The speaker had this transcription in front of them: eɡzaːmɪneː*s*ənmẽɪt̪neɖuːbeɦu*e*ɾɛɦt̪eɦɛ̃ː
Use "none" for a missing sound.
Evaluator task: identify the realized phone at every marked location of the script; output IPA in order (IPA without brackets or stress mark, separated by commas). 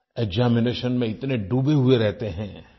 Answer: ʃ, e